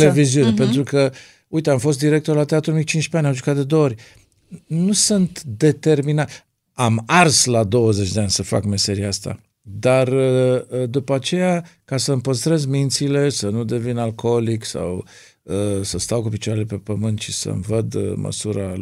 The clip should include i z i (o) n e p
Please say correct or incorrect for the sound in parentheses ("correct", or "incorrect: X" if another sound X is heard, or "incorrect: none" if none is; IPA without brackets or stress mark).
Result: incorrect: u